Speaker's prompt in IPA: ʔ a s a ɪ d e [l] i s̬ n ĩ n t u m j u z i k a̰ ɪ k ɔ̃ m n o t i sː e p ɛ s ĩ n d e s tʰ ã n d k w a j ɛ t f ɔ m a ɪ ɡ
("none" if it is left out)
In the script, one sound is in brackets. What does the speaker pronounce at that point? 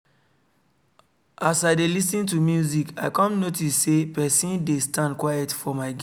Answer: l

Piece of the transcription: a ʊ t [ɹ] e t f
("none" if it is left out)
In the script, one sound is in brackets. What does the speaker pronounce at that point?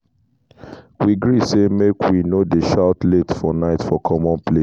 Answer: l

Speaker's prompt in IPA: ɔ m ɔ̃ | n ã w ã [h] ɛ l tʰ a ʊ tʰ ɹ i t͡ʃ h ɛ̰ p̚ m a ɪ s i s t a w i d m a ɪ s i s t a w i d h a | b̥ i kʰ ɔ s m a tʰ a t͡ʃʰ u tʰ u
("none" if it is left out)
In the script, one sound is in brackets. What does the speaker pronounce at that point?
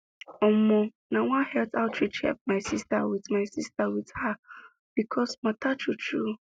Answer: h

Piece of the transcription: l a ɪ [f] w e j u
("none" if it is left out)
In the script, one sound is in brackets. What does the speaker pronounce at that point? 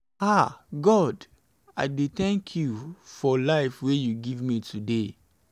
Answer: f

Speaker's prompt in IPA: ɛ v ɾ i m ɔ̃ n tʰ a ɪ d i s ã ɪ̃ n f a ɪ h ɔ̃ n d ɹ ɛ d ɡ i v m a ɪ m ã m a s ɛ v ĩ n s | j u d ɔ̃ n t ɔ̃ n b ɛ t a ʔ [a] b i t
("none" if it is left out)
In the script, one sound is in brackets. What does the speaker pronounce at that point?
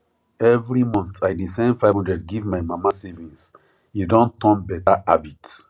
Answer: a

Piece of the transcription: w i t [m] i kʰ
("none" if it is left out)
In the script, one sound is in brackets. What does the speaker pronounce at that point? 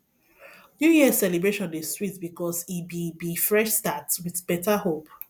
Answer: b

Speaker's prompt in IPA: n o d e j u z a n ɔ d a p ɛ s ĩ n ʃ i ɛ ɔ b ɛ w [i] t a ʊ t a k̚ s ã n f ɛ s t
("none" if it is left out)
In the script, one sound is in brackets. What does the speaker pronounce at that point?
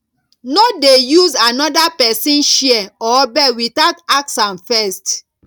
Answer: i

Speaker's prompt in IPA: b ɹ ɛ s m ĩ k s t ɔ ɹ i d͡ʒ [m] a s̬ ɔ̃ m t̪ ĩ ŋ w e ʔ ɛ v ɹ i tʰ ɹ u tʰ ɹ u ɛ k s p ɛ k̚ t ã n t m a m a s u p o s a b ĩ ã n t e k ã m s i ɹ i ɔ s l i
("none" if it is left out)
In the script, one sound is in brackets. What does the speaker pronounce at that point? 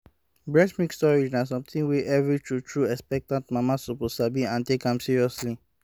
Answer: n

